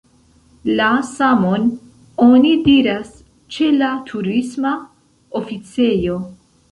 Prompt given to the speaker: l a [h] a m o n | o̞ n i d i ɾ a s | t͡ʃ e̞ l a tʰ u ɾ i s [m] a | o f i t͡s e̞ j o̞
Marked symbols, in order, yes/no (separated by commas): no, yes